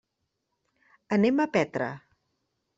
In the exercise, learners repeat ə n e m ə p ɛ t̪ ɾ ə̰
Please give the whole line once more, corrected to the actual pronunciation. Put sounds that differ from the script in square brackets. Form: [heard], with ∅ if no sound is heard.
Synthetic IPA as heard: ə n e m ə p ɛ t̪ ɾ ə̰